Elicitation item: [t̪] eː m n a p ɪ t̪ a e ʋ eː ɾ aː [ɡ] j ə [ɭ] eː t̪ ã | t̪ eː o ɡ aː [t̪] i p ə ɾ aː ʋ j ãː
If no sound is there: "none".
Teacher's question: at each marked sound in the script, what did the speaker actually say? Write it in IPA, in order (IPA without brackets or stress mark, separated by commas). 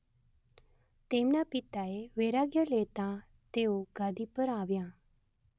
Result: t̪, ɡ, l, d̪